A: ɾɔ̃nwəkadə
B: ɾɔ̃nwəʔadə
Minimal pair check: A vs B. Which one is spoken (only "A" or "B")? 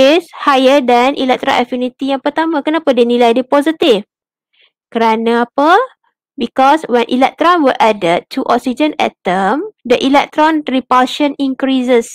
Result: B